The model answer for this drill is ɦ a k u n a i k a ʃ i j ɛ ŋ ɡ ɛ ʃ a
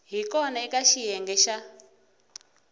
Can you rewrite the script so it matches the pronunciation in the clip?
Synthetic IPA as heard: ɦ i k ɔ n a i k a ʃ i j ɛ ŋ ɡ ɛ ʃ a